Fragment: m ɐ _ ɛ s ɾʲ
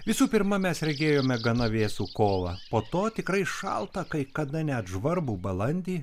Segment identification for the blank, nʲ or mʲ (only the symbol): mʲ